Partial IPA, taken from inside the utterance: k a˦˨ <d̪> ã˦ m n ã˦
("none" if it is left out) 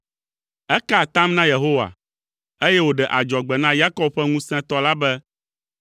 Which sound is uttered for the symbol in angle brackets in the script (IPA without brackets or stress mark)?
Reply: t̪